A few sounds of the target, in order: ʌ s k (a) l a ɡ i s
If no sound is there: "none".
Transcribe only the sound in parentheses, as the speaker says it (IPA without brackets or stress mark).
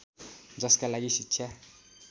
a